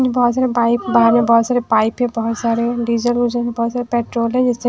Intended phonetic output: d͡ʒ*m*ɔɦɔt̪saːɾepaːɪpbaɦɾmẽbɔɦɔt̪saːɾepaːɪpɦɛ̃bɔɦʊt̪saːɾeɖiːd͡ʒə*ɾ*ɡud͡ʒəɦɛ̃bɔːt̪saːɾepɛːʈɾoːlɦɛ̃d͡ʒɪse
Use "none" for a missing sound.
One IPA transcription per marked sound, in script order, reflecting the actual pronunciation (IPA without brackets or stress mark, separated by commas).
b, l